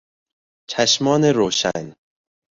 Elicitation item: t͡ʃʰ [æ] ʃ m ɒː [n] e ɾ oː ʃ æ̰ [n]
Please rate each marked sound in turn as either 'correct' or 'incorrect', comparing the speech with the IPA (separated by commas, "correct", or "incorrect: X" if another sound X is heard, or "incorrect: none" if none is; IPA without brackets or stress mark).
correct, correct, correct